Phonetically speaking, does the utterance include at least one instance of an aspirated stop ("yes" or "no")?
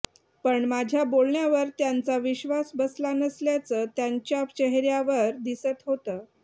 no